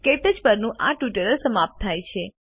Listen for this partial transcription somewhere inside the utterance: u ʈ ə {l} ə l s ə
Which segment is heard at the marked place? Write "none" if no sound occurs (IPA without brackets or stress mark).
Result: ɾ